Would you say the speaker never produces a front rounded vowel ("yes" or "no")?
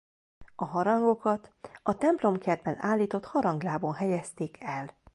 yes